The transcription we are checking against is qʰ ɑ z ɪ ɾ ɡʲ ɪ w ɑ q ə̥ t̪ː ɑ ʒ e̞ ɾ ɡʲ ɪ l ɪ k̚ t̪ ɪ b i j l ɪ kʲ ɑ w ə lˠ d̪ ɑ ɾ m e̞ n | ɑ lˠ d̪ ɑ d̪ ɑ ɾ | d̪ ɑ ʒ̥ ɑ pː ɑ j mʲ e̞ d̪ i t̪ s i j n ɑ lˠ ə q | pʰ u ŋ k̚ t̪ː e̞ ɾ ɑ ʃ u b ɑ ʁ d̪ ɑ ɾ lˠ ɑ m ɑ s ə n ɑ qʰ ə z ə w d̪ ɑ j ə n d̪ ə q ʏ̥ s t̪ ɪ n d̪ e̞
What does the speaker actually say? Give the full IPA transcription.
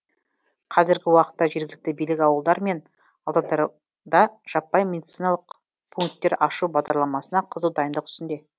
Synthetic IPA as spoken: qʰ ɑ z ɪ ɾ ɡʲ ɪ w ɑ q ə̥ t̪ː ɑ ʒ e̞ ɾ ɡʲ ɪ l ɪ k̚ t̪ ɪ b i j l ɪ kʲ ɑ w ə lˠ d̪ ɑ ɾ m e̞ n | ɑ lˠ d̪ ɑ d̪ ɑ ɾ | d̪ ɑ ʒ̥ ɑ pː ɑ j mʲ e̞ d̪ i t̪ s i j n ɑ lˠ ə q | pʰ u ŋ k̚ t̪ː e̞ ɾ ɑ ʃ u b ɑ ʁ d̪ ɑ ɾ lˠ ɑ m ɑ s ə n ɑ qʰ ə z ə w d̪ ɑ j ə n d̪ ə q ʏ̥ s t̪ ɪ n d̪ e̞